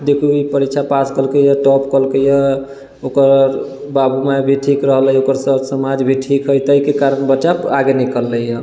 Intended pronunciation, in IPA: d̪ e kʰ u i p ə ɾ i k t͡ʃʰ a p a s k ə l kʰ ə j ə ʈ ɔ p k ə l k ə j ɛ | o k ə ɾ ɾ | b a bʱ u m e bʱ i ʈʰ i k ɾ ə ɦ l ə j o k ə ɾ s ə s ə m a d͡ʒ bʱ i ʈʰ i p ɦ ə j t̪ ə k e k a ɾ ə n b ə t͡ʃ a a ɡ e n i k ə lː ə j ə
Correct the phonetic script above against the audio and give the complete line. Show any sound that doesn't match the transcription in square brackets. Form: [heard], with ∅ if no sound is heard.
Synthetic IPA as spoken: d̪ e kʰ u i p ə ɾ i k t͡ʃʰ a p a s k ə l [k] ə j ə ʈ ɔ p k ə l k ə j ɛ | o k ə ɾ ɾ | b a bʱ u m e bʱ i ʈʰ i k ɾ ə ɦ l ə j o k ə ɾ s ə s ə m a d͡ʒ bʱ i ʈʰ i [k] ɦ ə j t̪ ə k e k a ɾ ə n b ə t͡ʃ a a ɡ e n i k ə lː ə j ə

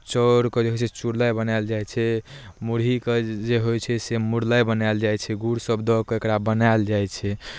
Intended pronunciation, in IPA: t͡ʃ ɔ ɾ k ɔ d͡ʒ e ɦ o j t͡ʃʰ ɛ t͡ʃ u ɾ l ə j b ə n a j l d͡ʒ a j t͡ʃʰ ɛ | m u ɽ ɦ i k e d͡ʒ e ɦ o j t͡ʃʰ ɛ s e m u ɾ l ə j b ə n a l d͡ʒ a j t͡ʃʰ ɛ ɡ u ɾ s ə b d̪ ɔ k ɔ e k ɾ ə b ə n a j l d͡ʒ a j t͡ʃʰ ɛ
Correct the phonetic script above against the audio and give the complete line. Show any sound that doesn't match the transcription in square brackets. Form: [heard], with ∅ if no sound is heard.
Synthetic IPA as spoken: t͡ʃ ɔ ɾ k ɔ d͡ʒ e ɦ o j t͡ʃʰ ɛ t͡ʃ u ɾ l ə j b ə n a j l d͡ʒ a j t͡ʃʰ ɛ | m u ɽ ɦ i k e d͡ʒ e ɦ o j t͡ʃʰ ɛ s e m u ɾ l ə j b ə n a l d͡ʒ a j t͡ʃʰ ɛ ɡ u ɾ s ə b d̪ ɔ k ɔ e k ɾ [a] b ə n a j l d͡ʒ a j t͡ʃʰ ɛ

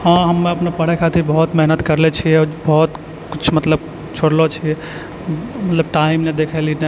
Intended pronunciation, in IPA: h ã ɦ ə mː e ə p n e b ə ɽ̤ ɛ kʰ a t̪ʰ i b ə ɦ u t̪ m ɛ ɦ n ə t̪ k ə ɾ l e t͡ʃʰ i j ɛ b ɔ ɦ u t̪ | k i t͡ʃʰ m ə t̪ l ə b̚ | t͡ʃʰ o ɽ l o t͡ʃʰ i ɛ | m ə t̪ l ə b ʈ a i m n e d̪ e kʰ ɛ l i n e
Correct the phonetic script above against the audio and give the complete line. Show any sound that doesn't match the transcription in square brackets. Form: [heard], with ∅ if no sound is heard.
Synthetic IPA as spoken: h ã ɦ ə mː e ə p n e [p] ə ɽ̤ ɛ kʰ a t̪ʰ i b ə ɦ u t̪ m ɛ ɦ n ə t̪ k ə ɾ l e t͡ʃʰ i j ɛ b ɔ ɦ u t̪ | k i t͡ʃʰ m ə t̪ l ə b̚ | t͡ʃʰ o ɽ l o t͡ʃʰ i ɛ | m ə t̪ l ə b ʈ a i m n e d̪ e kʰ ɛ l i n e

